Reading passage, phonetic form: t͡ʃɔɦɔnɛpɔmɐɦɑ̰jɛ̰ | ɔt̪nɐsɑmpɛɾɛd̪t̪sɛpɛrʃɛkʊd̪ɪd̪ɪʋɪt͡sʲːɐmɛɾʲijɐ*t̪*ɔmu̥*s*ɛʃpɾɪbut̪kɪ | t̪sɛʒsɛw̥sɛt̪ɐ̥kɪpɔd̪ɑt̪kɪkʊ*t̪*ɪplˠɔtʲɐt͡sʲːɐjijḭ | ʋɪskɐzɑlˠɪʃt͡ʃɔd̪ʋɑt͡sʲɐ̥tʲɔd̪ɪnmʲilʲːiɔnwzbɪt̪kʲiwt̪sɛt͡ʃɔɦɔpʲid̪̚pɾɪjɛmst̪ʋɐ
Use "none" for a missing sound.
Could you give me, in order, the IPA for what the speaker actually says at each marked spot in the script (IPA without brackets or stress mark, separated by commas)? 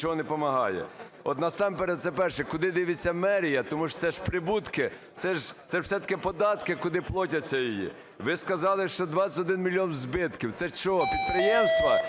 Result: t̪, s, d̪